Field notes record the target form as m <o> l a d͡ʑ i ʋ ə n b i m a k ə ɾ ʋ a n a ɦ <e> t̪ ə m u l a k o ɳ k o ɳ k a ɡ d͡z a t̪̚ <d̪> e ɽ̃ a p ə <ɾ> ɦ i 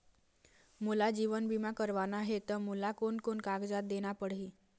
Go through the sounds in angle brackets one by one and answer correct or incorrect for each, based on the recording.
incorrect, correct, correct, incorrect

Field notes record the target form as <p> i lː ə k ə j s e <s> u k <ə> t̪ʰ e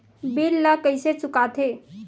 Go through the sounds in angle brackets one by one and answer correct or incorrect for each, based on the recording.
incorrect, incorrect, incorrect

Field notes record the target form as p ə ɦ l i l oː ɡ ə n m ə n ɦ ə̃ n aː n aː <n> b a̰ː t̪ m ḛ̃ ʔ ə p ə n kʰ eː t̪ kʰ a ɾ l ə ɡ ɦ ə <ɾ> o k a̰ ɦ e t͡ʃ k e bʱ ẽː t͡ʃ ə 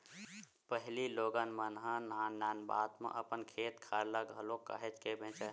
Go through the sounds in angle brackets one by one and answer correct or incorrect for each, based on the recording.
correct, incorrect

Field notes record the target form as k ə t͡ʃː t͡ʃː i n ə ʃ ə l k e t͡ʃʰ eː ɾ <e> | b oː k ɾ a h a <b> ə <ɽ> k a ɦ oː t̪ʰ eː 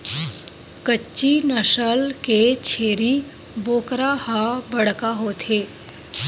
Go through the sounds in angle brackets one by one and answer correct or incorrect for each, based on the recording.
incorrect, correct, correct

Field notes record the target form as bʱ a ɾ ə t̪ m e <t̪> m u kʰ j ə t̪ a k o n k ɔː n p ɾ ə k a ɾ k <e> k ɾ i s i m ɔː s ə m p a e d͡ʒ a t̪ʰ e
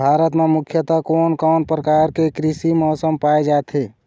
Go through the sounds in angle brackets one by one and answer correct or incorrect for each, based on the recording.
incorrect, correct

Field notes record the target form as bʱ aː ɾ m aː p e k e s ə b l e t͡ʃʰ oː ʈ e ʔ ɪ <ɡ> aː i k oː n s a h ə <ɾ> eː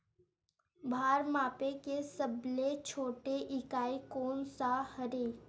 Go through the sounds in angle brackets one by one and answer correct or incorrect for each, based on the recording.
incorrect, correct

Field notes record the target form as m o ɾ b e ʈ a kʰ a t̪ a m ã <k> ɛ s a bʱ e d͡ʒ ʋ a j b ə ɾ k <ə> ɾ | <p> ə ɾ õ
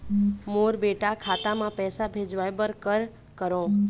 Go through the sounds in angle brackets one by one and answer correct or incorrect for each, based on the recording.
incorrect, correct, incorrect

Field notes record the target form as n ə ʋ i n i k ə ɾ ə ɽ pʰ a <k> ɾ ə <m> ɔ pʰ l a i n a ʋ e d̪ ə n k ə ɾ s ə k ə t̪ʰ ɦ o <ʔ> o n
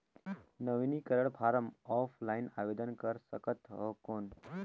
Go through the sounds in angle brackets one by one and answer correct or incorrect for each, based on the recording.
incorrect, correct, incorrect

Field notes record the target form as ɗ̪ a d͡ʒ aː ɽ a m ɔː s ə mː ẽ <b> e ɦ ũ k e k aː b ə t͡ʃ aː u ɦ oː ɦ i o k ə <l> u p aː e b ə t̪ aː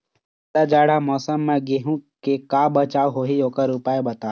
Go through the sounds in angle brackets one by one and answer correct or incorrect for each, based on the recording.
incorrect, incorrect

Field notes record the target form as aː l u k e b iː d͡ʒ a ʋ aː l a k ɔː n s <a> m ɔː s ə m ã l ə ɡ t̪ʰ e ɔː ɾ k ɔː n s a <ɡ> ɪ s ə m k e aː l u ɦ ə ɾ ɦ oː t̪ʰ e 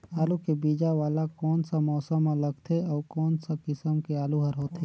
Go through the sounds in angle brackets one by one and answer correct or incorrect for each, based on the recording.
correct, incorrect

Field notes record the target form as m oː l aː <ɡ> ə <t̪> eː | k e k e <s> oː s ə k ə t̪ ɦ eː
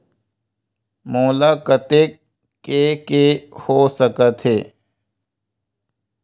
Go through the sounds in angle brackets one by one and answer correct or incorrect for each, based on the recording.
incorrect, correct, incorrect

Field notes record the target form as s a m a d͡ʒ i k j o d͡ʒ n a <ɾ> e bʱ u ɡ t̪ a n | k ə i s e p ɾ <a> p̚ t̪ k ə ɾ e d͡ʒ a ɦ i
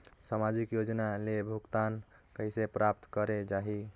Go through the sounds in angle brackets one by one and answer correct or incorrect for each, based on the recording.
incorrect, correct

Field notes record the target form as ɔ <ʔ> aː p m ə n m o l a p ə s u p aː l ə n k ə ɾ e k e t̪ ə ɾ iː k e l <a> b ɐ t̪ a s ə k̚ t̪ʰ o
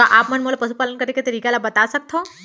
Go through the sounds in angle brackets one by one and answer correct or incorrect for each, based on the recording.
correct, correct

